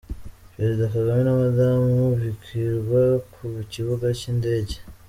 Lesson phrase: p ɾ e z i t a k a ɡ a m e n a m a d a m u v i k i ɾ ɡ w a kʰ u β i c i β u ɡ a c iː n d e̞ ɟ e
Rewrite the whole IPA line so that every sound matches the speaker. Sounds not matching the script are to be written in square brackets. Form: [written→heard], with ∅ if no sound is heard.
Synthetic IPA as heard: p ɾ e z i [t→d] a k a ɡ a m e n a m a d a m u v i k i ɾ ɡ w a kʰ u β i c i β u ɡ a c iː n d e̞ ɟ e

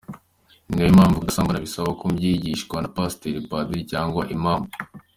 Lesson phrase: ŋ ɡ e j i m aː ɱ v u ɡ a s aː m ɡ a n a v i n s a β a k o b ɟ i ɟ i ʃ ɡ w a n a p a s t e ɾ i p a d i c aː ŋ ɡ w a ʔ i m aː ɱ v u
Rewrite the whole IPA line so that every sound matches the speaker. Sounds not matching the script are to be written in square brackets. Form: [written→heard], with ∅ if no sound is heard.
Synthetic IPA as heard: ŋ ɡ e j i m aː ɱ v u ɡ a s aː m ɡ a n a [v→β] i [n→∅] s a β a k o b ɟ i ɟ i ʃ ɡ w a n a p a s t e ɾ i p a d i c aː ŋ ɡ w a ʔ i m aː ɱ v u

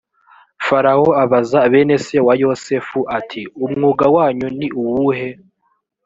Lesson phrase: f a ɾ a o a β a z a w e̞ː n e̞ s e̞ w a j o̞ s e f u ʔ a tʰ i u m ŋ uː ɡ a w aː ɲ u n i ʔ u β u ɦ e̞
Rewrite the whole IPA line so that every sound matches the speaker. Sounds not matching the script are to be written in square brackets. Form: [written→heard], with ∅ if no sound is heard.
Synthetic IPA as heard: f a ɾ a o a β a z a [w→β] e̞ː n e̞ s e̞ w a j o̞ s e f u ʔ a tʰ i u m ŋ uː ɡ a w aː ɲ u n i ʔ u [β→w] u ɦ e̞

